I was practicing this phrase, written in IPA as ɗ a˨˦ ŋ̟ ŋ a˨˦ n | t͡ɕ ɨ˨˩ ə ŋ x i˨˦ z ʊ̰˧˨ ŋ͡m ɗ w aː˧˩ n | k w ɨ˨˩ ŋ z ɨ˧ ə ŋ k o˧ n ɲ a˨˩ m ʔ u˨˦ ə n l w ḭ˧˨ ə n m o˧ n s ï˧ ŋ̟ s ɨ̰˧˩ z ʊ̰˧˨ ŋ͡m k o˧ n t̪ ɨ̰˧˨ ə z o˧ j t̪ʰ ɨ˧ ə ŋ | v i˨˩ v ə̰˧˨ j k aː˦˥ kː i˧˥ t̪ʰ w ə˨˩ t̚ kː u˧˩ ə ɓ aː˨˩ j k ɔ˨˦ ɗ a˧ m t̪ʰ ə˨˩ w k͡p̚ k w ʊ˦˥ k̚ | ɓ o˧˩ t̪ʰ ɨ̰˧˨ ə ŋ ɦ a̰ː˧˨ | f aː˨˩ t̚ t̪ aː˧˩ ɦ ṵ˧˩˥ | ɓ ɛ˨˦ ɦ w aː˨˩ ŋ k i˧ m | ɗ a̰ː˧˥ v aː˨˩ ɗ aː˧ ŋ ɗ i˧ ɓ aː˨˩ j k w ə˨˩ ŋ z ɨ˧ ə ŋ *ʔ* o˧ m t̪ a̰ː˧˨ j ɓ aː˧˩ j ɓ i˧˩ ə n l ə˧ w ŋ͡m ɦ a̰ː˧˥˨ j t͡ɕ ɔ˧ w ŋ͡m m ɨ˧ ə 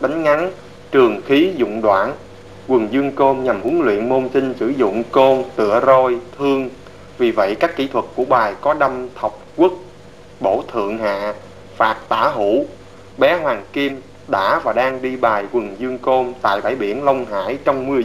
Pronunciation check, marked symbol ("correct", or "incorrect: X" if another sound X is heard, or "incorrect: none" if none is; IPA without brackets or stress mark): incorrect: k